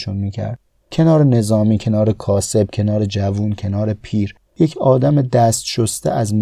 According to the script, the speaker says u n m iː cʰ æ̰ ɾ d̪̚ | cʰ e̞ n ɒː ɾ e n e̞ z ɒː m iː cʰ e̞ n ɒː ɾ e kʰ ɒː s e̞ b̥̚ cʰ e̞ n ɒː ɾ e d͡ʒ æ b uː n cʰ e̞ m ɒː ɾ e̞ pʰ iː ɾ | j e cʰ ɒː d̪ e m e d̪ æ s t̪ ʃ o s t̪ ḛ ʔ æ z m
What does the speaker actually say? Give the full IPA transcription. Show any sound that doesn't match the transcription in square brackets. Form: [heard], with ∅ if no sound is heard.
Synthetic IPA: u n m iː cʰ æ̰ ɾ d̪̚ | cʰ e̞ n ɒː ɾ e n e̞ z ɒː m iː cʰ e̞ n ɒː ɾ e kʰ ɒː s e̞ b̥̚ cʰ e̞ n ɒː ɾ e d͡ʒ æ [v] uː n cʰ e̞ [n] ɒː ɾ e̞ pʰ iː ɾ | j e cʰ ɒː d̪ [æ] m e d̪ æ s t̪ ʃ o s t̪ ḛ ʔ æ z m